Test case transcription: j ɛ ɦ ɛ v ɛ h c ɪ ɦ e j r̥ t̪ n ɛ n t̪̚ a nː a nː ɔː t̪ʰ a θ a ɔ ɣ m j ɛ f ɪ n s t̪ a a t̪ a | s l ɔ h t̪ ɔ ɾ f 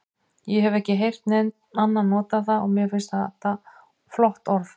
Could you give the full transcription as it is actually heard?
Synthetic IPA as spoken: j ɛ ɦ ɛ v ɛ h c ɪ ɦ e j r̥ t̪ n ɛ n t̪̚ a nː a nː ɔː t̪ a θ a ɔ ɣ m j ɛ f ɪ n s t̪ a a t̪ a | f l ɔ h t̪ ɔ ɾ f